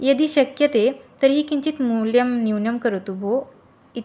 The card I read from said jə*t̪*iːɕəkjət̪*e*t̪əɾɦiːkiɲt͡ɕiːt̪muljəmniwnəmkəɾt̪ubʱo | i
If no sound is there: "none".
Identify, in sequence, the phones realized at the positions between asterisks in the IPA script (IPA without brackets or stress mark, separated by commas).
d̪, e